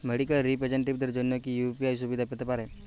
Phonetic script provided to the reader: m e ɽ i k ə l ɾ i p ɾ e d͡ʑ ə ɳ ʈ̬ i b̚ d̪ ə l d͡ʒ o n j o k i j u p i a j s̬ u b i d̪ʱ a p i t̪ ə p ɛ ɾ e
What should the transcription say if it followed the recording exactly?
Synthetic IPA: m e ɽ i k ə l ɾ i p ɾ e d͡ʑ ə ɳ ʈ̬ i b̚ d̪ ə ɾ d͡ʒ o n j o k i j u p i a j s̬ u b i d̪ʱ a p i t̪ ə p a ɾ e